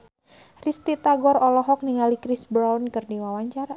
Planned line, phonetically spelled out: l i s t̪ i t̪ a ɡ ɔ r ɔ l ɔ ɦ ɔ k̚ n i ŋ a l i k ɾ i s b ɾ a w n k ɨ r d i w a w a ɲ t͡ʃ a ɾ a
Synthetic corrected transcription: r i s t̪ i t̪ a ɡ ɔ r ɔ l ɔ ɦ ɔ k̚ n i ŋ a l i k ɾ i s b ɾ a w n k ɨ r d i w a w a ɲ t͡ʃ a ɾ a